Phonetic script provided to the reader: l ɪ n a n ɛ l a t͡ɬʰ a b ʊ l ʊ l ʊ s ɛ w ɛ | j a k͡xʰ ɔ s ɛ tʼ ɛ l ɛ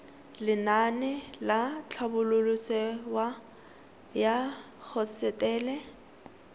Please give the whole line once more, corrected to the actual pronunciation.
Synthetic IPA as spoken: l ɪ n a n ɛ l a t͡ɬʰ a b ʊ l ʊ l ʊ s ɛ w a | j a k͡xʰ ɔ s ɛ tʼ ɛː l ɛ